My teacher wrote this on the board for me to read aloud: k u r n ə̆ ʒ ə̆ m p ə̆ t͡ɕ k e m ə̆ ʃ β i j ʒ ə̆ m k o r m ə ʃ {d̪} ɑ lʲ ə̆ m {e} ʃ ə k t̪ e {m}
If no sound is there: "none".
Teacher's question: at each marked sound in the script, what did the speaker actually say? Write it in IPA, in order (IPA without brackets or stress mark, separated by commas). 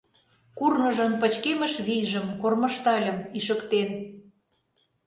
t̪, i, n